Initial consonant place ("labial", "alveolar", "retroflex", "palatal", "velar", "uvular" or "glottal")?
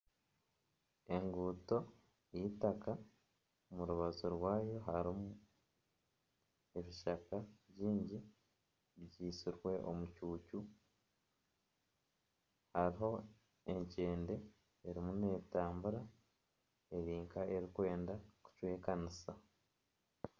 velar